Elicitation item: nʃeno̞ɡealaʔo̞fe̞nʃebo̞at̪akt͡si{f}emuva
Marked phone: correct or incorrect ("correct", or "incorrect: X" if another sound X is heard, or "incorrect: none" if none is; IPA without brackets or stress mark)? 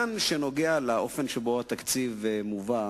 incorrect: v